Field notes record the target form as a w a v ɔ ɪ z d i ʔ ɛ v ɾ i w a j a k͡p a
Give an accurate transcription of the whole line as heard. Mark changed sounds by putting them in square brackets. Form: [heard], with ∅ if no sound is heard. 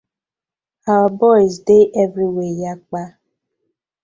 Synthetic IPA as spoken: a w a [b] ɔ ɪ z d [e] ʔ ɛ v ɾ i w [e] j a k͡p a